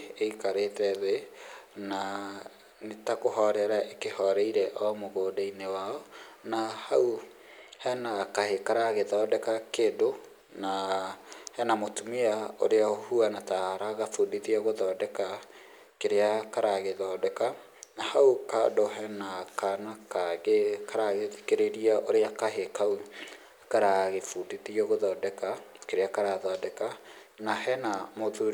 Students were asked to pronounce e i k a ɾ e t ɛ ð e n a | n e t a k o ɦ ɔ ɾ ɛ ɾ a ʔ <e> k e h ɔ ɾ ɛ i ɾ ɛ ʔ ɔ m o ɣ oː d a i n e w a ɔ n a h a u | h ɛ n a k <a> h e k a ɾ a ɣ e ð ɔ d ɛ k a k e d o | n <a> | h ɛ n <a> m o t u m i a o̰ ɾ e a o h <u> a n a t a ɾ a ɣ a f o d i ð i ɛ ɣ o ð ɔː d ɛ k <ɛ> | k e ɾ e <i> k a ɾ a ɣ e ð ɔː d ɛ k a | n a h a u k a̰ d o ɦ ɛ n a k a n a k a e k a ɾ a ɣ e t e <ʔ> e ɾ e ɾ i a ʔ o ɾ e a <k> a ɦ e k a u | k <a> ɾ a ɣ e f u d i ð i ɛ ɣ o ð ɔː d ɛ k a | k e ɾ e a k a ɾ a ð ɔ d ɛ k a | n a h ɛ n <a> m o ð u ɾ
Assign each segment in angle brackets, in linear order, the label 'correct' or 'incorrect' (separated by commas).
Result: correct, correct, correct, correct, correct, incorrect, incorrect, incorrect, correct, correct, correct